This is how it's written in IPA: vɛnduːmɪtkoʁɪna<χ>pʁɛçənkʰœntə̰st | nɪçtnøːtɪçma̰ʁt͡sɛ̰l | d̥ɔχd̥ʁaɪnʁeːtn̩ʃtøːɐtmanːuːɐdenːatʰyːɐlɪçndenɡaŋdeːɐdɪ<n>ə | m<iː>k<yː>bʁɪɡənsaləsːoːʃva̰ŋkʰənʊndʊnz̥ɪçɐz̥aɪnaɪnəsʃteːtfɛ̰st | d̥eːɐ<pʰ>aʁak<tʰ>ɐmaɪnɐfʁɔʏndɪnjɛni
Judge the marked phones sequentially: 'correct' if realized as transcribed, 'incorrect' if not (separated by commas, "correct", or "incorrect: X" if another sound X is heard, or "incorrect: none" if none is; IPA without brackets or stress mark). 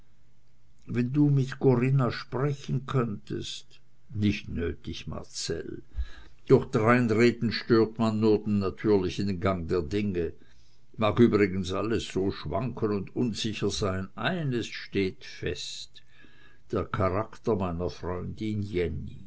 incorrect: ʃ, incorrect: ŋ, incorrect: aː, correct, incorrect: kʰ, incorrect: t